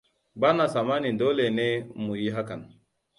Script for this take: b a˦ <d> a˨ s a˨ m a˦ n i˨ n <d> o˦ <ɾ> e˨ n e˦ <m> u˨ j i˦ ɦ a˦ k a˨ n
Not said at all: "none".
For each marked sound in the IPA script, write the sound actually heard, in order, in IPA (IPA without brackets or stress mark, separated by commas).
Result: n, d, l, m